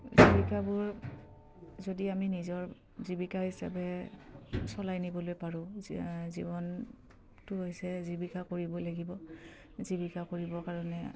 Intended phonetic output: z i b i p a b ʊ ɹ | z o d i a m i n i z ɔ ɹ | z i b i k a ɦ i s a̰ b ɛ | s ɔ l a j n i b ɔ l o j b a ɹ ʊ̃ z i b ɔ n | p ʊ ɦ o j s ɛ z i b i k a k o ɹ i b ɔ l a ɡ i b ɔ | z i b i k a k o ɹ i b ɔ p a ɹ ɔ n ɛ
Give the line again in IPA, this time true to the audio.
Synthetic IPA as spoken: z i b i k a b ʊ ɹ | z o d i a m i n i z ɔ ɹ | z i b i k a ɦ i s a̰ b ɛ | s ɔ l a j n i b ɔ l o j p a ɹ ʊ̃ z i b ɔ n | t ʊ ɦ o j s ɛ z i b i k a k o ɹ i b ɔ l a ɡ i b ɔ | z i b i k a k o ɹ i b ɔ k a ɹ ɔ n ɛ